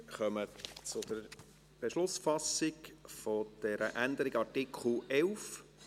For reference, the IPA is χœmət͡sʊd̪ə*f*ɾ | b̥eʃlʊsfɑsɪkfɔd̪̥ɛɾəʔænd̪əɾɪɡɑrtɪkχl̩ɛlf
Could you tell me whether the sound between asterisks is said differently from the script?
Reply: yes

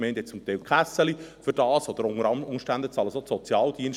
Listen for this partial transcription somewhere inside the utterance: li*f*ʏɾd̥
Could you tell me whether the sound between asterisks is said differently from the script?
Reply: no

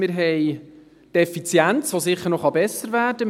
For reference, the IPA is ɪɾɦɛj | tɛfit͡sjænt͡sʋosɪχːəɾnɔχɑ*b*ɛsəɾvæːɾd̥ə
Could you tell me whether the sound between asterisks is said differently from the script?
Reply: no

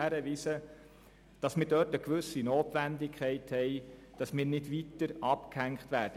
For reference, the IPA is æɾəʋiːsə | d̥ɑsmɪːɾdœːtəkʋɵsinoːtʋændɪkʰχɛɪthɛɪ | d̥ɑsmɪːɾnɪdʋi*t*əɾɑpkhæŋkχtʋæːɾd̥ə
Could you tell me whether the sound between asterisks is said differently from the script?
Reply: no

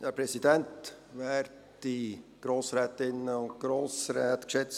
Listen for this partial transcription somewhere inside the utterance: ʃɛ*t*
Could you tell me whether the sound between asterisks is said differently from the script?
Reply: yes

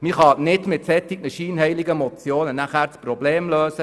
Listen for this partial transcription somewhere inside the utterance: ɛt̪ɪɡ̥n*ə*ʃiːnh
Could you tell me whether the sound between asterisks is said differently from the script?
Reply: no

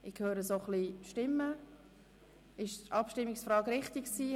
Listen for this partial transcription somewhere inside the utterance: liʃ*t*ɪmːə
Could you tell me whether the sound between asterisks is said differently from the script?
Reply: no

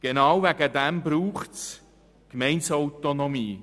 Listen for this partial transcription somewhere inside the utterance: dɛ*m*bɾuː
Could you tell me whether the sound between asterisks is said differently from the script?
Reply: no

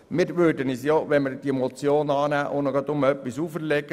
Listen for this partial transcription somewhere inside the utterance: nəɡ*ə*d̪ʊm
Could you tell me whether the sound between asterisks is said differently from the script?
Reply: yes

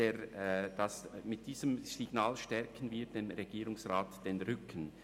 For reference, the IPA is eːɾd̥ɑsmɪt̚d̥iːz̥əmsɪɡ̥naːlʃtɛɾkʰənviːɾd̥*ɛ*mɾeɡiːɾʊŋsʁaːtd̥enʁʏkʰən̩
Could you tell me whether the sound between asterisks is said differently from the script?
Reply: yes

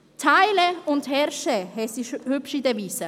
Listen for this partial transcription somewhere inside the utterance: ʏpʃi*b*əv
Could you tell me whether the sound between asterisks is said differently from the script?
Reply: yes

